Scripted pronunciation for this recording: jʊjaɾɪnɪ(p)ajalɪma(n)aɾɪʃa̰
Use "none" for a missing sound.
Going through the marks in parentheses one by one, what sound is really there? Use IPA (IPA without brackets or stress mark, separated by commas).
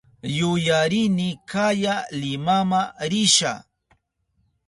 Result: k, m